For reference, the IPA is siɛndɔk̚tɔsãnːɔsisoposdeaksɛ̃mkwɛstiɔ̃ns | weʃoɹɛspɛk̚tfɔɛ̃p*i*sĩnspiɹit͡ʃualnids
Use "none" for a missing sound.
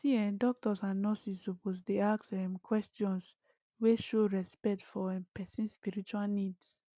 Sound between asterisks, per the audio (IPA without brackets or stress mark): ɛ